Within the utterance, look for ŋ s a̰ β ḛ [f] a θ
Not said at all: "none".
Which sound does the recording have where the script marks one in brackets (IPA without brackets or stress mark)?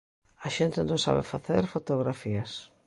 f